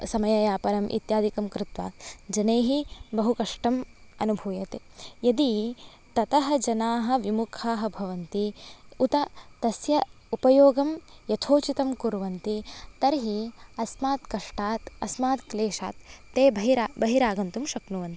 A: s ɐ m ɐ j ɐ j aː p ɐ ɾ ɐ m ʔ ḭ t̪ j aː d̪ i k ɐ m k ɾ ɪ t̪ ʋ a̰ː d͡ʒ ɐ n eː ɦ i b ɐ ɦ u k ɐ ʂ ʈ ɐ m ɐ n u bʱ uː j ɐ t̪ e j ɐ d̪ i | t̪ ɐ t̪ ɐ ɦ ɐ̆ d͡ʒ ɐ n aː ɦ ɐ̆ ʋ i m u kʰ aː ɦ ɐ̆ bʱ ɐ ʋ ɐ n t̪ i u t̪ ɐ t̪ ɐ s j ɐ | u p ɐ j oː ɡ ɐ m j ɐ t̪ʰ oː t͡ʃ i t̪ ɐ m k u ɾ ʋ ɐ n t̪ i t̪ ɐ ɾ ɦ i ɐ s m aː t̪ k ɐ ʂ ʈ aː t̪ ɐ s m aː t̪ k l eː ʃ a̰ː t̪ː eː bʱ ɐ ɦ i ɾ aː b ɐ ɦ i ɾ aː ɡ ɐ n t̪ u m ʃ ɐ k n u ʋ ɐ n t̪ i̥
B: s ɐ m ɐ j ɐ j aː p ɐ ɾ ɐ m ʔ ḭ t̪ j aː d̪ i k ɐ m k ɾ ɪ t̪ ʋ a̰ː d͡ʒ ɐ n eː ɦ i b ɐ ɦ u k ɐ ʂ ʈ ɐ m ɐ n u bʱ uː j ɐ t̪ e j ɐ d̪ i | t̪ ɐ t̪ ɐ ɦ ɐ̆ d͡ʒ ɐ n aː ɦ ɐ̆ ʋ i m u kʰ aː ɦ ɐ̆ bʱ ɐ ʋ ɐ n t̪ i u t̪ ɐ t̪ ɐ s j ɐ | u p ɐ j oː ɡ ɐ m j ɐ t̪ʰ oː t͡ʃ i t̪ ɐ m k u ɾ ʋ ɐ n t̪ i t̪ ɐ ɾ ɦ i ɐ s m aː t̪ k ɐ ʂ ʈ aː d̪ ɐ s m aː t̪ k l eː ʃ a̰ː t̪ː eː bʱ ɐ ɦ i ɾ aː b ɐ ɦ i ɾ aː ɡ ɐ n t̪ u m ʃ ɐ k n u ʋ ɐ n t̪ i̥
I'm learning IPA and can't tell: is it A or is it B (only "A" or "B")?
A